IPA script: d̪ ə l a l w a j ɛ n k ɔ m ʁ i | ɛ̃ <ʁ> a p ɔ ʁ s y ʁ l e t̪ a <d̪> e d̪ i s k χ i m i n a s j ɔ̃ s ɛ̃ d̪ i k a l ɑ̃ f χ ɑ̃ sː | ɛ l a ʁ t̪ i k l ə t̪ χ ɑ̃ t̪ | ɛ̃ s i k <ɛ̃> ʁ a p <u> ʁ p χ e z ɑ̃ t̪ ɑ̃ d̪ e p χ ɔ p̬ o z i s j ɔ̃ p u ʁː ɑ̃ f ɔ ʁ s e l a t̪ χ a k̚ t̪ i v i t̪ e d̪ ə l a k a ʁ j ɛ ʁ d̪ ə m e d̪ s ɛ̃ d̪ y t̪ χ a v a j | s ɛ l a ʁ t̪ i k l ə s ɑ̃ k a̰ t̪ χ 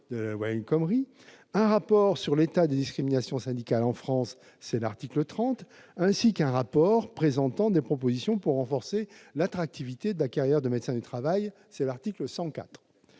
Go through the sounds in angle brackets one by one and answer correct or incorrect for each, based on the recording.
correct, correct, correct, incorrect: ɔ

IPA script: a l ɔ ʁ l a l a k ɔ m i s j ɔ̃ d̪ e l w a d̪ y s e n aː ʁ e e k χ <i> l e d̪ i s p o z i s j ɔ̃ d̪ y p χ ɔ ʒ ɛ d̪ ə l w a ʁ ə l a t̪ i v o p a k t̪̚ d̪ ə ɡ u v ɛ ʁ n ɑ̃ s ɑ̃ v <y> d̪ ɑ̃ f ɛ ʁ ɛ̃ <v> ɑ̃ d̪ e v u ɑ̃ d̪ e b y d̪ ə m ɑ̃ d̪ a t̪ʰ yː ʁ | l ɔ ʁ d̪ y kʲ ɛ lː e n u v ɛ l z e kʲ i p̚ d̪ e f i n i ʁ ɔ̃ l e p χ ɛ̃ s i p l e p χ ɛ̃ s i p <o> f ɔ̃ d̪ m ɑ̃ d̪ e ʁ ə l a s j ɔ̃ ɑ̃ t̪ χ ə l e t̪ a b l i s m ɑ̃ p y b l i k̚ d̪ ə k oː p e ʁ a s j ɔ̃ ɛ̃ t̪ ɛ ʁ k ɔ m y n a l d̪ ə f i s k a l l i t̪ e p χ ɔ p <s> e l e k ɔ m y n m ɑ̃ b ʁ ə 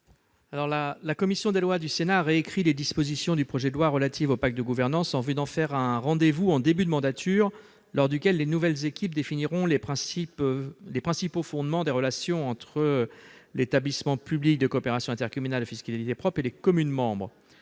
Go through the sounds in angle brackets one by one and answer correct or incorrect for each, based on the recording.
correct, correct, incorrect: ʁ, correct, incorrect: χ

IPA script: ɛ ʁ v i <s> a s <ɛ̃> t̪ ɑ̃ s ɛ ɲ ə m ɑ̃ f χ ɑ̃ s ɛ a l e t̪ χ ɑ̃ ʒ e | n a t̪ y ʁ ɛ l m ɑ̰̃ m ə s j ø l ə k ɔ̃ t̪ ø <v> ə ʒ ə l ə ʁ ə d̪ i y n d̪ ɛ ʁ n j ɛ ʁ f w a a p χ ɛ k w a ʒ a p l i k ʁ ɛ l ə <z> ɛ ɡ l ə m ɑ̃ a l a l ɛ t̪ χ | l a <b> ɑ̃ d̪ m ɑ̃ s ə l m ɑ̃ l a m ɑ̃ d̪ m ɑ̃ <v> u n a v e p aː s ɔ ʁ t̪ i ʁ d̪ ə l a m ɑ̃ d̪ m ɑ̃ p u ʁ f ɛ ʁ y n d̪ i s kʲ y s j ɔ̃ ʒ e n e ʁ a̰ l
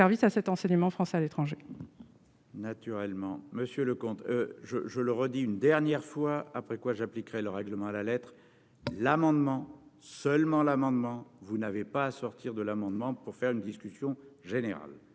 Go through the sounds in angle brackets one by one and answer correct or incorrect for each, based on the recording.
correct, incorrect: ɛ, incorrect: ʒ, incorrect: ʁ, incorrect: m, correct

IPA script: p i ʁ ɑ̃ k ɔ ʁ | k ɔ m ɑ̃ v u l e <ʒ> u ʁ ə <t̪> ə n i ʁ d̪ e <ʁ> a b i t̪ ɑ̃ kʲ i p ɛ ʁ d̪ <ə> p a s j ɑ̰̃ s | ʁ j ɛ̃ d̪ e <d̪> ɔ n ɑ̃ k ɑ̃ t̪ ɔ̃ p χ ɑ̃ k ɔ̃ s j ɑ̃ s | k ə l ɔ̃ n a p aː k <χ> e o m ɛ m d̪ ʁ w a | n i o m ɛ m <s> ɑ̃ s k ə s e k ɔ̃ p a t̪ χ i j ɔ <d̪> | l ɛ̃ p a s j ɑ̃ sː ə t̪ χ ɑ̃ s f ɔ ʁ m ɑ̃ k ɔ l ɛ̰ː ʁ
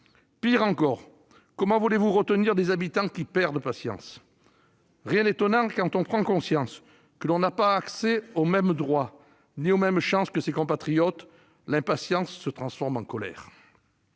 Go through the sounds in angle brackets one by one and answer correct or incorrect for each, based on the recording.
incorrect: v, correct, incorrect: z, correct, incorrect: t̪, incorrect: s, incorrect: ʃ, incorrect: t̪

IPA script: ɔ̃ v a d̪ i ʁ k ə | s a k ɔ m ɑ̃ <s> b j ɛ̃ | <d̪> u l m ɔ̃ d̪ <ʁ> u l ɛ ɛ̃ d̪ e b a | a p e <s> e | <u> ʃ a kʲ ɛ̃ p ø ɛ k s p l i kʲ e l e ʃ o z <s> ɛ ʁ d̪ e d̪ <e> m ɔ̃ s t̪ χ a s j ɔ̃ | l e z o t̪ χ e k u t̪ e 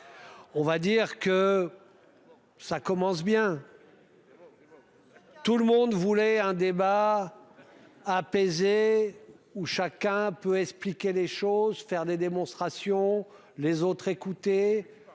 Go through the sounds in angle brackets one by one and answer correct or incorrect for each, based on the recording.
correct, incorrect: t̪, incorrect: v, incorrect: z, correct, incorrect: f, correct

